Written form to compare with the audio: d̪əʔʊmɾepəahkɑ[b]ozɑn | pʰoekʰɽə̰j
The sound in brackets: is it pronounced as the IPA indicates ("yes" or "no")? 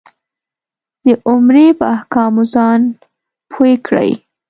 no